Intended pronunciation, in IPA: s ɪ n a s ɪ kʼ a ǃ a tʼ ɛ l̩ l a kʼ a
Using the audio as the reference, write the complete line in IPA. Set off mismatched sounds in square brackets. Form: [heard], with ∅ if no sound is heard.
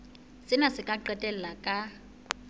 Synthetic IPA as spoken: s ɪ n a s ɪ kʼ a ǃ [ɛ] tʼ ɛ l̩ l a kʼ a